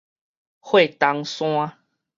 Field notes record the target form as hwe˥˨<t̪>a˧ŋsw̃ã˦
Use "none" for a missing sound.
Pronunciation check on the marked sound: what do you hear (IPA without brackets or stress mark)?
t̪